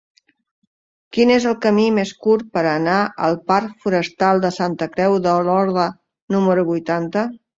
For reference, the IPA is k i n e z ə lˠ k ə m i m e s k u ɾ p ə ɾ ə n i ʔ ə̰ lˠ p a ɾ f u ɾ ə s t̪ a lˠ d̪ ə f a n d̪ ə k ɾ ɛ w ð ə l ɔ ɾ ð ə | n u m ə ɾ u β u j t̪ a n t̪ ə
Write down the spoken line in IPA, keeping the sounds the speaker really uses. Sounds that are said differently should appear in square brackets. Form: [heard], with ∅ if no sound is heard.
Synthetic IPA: k i n e z ə lˠ k ə m i m e s k u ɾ p ə ɾ ə n [a] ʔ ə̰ lˠ p a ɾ f u ɾ ə s t̪ a lˠ d̪ ə [s] a n [t̪] ə k ɾ ɛ w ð ə l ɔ ɾ ð ə | n u m ə ɾ u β u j t̪ a n t̪ ə